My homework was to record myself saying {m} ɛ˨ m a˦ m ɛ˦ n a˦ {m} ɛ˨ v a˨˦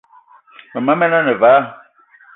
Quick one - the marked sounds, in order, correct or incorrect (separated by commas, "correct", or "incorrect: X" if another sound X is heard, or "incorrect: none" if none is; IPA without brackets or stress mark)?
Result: correct, incorrect: n